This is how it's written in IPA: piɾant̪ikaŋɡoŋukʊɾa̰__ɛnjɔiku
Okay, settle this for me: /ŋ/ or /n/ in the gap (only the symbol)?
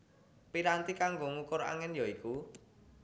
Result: ŋ